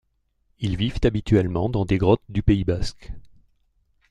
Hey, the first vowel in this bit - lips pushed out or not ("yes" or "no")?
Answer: no